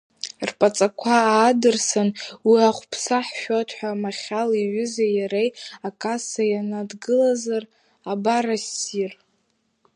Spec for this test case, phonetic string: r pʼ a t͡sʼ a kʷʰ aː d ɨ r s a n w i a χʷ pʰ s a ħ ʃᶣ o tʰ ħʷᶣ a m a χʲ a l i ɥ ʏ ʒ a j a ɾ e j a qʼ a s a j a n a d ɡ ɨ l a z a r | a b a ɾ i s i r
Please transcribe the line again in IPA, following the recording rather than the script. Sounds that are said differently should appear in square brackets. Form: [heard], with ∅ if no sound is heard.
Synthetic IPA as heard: r pʼ a t͡sʼ a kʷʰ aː d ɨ r s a n w i a χʷ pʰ s a ħ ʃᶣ o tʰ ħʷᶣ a m a χʲ a l i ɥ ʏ [z] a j a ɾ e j a [kʼ] a s a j a n a d ɡ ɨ l a z a r | a b a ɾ [a] s i r